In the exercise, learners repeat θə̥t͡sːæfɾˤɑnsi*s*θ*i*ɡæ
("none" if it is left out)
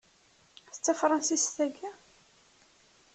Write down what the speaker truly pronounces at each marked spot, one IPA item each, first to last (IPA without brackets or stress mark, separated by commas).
s, æ